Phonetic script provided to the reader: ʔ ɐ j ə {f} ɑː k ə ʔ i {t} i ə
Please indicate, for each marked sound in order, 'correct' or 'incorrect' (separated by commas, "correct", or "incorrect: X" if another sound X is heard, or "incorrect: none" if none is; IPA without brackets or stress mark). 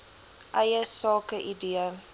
incorrect: s, incorrect: d